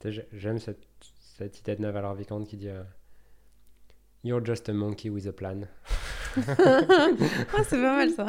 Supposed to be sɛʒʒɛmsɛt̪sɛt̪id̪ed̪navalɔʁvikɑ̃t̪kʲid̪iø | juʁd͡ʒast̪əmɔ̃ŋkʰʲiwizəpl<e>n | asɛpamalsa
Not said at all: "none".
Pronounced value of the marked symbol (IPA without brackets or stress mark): a